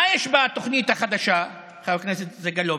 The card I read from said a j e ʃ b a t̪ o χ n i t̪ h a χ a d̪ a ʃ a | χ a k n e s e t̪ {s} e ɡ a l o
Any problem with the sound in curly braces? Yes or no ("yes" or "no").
yes